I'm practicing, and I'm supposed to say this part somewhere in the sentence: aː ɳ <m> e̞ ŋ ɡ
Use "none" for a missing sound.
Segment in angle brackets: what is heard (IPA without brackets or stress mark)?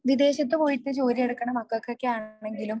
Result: ɳ